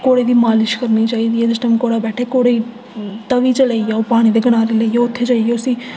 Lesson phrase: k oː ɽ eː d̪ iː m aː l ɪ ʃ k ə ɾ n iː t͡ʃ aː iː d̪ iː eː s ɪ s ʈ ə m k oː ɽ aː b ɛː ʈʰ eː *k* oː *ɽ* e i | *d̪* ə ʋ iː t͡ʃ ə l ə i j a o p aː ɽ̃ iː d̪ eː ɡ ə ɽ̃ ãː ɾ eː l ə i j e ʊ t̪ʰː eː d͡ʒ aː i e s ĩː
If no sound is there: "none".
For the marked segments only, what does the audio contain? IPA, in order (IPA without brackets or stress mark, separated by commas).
k, ɽ, t̪